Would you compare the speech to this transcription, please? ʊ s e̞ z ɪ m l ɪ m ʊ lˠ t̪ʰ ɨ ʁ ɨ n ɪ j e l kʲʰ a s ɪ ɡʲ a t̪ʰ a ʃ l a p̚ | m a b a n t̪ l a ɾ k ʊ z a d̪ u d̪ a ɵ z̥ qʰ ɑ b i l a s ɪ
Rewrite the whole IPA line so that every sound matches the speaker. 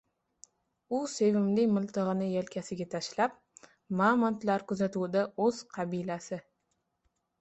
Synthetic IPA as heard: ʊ s e̞ v ɪ m l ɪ m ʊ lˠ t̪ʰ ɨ ʁ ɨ n ɪ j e l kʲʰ a s ɪ ɡʲ a t̪ʰ a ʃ l a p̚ | m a m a n t̪ l a ɾ k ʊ z a t̪ u d̪ a ɵ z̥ qʰ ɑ b i l a s ɪ